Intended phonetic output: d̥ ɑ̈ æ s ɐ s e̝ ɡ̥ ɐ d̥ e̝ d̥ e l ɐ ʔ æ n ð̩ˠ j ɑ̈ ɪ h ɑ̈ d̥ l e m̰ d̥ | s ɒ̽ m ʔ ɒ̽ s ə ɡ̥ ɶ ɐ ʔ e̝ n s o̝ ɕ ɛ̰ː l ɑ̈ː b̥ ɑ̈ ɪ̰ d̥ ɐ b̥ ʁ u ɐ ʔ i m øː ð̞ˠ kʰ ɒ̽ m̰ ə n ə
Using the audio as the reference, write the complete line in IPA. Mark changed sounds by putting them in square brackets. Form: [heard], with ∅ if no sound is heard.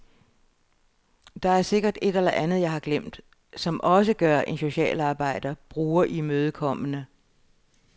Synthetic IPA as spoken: d̥ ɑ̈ æ [∅] ɐ s e̝ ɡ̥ ɐ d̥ e̝ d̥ e l ɐ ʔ æ n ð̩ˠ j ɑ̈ ɪ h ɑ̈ [ɡ̥] l e m̰ d̥ | s ɒ̽ m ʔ ɒ̽ s ə ɡ̥ ɶ ɐ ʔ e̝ n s o̝ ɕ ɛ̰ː l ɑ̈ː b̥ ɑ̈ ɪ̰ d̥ ɐ b̥ ʁ [uː] ɐ ʔ i m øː ð̞ˠ kʰ ɒ̽ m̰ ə n ə